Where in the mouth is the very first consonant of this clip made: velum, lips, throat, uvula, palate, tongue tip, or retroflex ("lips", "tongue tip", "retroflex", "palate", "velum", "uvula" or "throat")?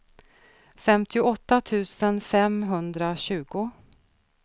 lips